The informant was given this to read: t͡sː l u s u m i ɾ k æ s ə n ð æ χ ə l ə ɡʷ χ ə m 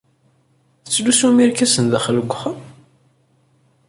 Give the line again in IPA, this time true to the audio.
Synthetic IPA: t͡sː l u s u m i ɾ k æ s ə n ð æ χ ə l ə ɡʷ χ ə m

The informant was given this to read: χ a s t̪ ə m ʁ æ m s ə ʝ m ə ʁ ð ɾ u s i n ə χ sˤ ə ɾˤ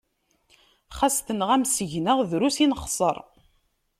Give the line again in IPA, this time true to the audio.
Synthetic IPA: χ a s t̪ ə n ʁ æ m s ə ʝ n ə ʁ ð ɾ u s i n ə χ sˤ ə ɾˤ

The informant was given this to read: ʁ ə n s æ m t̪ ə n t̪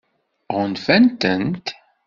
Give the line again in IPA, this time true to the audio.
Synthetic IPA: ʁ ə n f æ n t̪ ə n t̪

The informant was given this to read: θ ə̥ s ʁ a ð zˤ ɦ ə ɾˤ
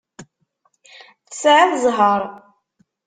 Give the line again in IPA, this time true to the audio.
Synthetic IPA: θ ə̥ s ʕ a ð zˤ ɦ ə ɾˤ

